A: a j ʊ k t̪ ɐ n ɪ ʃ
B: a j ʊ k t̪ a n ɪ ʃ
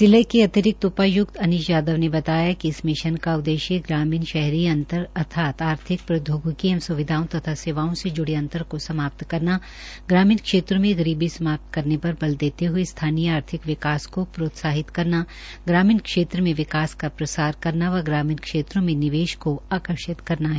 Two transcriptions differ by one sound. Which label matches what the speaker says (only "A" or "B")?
A